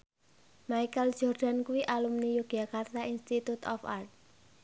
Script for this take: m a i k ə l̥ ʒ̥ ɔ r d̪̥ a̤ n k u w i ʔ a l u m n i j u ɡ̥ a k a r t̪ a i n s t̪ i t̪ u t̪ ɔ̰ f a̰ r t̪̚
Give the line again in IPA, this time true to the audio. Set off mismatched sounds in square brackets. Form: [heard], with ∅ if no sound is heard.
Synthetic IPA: m a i k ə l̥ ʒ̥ ɔ r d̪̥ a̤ n k u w i ʔ a l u m n i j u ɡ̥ a k a r t̪ a i n s t̪ i t̪ u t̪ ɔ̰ f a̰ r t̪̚